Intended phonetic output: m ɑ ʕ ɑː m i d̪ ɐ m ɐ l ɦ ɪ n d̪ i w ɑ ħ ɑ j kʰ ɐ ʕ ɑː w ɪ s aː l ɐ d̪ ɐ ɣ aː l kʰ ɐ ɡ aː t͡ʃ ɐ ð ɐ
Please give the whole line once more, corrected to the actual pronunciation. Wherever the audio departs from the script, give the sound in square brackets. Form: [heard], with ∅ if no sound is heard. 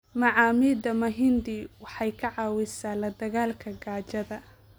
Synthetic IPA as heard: m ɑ ʕ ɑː m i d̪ ɐ m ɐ [∅] ɦ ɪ n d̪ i w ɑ ħ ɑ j kʰ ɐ ʕ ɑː w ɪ s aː l ɐ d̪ ɐ ɣ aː l kʰ ɐ ɡ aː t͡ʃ ɐ ð ɐ